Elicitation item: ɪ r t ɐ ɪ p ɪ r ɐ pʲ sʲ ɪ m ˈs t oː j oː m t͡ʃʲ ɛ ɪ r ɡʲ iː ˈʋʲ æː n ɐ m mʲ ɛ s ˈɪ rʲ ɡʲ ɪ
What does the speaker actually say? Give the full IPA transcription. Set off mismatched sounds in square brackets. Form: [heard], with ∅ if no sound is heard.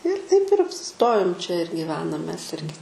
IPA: ɪ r t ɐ ɪ p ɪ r ɐ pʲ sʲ ɪ [∅] ˈs t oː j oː m t͡ʃʲ ɛ ɪ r ɡʲ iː ˈʋʲ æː n ɐ m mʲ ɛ s ˈɪ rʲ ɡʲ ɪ